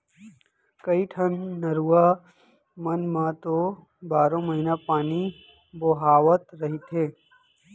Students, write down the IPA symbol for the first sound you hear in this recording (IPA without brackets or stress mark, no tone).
k